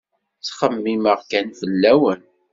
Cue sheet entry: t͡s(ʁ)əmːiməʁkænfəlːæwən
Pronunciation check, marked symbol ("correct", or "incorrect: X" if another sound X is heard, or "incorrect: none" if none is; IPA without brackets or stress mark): incorrect: χ